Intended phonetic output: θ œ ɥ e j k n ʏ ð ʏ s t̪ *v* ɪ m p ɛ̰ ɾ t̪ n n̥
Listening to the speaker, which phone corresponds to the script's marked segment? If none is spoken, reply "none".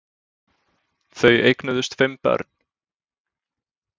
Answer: f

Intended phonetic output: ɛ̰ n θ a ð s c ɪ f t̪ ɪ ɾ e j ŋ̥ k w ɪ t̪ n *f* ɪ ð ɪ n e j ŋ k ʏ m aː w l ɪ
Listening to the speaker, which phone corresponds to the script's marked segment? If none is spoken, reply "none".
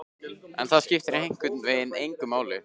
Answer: v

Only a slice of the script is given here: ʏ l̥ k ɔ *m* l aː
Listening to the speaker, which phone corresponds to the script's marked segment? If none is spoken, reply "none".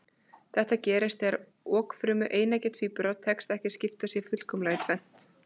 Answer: m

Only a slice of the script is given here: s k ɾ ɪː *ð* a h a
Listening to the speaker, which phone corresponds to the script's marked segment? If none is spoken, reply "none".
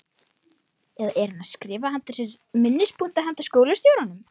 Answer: v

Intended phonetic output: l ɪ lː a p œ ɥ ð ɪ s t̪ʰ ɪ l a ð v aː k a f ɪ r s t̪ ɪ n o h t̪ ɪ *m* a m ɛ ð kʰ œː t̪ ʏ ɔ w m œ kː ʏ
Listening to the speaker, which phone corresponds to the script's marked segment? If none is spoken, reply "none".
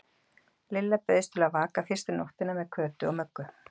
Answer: n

